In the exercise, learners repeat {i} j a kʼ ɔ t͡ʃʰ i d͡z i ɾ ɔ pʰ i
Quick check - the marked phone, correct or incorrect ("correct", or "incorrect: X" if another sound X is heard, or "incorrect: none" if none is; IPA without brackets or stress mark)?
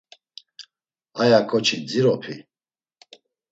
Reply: incorrect: a